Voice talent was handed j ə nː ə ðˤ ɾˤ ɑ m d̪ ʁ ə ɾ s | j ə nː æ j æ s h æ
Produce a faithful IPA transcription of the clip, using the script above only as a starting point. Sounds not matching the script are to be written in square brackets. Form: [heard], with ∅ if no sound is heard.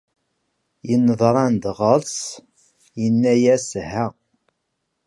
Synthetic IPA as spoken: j ə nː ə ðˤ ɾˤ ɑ [n] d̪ ʁ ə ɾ s | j ə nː æ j æ s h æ

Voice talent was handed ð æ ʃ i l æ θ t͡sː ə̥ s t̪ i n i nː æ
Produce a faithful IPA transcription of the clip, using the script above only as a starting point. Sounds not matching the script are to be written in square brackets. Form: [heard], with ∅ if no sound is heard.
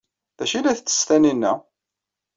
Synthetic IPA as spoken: ð æ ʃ i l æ θ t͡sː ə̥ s t̪ [æ] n i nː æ

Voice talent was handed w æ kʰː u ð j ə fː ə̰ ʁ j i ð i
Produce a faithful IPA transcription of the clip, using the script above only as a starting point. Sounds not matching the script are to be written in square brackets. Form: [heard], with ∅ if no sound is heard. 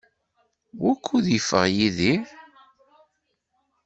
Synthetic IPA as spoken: w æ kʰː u ð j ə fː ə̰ ʁ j i ð i

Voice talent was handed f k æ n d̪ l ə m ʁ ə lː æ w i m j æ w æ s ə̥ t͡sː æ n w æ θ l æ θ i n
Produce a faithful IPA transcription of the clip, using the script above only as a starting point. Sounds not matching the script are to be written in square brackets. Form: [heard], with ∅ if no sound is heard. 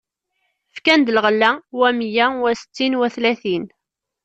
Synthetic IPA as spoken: f k æ n d̪ l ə [∅] ʁ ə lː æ w [æ] m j æ w æ s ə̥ t͡sː [i] n w æ θ l æ θ i n

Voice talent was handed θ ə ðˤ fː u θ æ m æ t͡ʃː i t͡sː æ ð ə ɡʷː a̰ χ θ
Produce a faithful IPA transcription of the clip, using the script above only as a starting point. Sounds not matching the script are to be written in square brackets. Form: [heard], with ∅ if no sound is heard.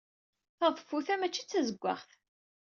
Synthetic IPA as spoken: θ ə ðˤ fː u θ æ m æ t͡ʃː i t͡sː æ [z] ə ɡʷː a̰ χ θ

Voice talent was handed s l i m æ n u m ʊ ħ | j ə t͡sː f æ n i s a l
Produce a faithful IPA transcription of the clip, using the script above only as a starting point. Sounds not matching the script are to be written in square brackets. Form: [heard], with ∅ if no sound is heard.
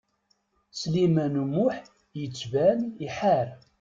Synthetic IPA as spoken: s l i m æ n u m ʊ ħ | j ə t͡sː [v] æ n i [ħ] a [ɾ]

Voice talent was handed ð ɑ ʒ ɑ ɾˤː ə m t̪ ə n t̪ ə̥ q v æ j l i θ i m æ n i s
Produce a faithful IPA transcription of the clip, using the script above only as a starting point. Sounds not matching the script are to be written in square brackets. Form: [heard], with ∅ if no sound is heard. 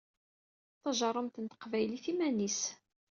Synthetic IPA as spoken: [θ] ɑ ʒ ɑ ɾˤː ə m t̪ ə n t̪ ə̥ q v æ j l i θ i m æ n i s

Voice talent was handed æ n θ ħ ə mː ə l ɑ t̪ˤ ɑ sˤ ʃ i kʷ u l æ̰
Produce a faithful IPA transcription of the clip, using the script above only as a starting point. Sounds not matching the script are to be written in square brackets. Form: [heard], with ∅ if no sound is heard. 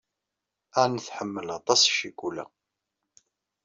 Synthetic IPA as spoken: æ n θ ħ ə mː ə l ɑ t̪ˤ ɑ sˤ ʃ i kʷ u l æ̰

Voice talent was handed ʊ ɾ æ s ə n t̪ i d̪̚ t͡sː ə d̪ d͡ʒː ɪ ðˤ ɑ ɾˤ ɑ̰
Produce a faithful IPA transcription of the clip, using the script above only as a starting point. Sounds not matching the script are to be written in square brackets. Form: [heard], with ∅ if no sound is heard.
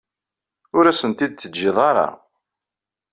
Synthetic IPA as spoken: ʊ ɾ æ s ə n t̪ i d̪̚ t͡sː ə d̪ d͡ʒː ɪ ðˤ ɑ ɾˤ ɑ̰

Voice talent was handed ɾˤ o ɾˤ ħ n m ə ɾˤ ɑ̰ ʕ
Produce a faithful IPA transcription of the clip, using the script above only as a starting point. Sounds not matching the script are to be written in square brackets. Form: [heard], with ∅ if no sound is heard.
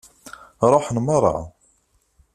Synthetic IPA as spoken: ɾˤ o [∅] ħ n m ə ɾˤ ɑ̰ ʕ

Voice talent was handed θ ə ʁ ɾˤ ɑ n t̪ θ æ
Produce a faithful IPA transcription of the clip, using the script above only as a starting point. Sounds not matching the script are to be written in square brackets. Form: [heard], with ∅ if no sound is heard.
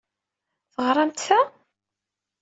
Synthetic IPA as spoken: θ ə ʁ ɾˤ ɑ [m] t̪ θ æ

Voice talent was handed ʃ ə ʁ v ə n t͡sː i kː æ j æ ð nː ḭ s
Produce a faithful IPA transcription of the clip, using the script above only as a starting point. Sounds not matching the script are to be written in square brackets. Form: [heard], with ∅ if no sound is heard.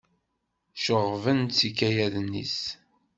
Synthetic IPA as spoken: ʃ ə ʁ v ə n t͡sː i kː æ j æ ð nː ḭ s

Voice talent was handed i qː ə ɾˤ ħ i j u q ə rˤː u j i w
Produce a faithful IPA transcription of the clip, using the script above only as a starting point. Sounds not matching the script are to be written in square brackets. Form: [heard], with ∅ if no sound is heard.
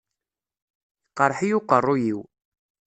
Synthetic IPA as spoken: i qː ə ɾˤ ħ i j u q ə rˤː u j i w

